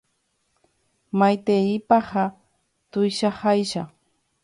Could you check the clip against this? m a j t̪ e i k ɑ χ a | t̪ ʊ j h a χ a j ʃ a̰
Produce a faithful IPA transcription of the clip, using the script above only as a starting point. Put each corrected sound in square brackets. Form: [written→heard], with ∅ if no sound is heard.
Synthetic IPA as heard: m a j t̪ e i [k→p] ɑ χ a | t̪ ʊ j [h→ʃ] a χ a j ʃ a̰